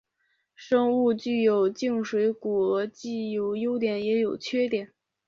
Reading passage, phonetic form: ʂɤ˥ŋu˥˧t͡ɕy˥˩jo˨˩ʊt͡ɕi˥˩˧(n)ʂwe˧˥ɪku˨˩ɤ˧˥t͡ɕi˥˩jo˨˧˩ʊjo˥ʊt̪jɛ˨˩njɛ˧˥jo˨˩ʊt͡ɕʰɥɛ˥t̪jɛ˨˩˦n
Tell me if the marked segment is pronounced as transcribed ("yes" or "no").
no